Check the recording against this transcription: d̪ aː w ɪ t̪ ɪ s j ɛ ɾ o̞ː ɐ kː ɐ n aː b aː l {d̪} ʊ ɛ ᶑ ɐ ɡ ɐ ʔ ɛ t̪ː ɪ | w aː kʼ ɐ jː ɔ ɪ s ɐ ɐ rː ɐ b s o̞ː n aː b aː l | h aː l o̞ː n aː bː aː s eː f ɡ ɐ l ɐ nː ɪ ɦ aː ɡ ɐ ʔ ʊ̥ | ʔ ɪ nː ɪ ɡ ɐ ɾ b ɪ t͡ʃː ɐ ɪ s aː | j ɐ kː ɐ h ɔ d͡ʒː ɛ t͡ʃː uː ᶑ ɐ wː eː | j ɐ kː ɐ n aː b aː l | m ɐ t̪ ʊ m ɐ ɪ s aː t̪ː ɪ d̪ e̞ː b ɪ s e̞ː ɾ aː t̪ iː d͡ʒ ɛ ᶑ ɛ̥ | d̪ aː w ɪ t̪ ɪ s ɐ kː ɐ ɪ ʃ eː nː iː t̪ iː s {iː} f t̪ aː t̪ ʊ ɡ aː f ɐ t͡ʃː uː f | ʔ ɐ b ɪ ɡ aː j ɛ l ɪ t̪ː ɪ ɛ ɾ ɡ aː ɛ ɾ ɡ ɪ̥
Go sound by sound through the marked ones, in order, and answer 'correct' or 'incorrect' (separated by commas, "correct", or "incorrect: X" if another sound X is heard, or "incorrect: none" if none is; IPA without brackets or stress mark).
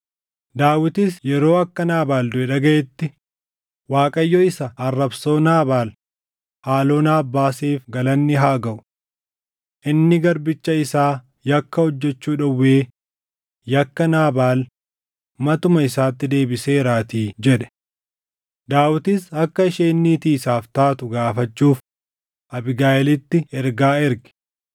correct, incorrect: aː